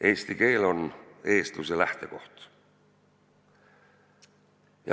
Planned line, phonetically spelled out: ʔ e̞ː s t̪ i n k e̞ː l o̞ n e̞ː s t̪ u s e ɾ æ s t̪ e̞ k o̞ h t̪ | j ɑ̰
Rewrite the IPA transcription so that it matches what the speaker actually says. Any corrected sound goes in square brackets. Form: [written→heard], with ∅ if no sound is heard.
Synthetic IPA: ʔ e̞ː s t̪ i [n→∅] k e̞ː l o̞ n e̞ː s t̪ u s e [ɾ→l] æ [s→h] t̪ e̞ k o̞ h t̪ | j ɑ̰